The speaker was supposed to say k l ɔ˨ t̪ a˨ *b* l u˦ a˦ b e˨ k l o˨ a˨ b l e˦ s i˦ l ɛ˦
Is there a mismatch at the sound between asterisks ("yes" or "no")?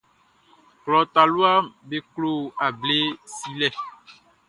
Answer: yes